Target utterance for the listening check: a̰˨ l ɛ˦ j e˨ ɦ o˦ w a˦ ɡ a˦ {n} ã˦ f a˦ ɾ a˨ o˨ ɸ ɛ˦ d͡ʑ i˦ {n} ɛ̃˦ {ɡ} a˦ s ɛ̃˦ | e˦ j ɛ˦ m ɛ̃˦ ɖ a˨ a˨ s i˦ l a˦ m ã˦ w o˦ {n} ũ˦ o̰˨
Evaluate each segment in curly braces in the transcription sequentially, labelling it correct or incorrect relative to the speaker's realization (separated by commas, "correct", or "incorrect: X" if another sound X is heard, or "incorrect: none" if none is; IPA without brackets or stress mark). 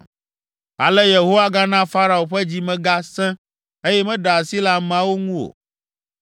correct, incorrect: m, correct, incorrect: ŋ